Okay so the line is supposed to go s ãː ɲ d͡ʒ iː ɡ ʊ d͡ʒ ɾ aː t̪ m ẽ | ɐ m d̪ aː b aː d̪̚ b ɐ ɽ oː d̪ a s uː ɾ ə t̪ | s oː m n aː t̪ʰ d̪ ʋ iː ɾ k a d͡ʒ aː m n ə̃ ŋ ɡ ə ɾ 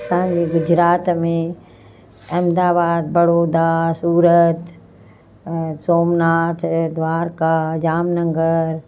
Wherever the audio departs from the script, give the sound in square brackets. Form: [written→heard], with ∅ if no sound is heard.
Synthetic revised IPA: s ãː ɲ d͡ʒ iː ɡ ʊ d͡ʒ ɾ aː t̪ m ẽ | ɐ m d̪ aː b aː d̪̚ b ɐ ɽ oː d̪ a s uː ɾ ə t̪ | s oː m n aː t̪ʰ d̪ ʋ [iː→aː] ɾ k a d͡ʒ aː m n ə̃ ŋ ɡ ə ɾ